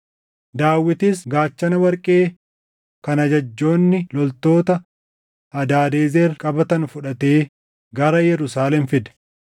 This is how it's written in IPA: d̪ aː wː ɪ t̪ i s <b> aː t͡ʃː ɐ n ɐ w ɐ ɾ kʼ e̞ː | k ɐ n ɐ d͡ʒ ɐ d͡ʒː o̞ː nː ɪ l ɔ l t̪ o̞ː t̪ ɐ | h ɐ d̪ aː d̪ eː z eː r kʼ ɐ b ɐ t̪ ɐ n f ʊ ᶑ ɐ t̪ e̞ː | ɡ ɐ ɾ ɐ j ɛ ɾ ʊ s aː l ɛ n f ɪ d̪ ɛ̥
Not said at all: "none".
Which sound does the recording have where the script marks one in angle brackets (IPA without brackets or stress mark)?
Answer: ɡ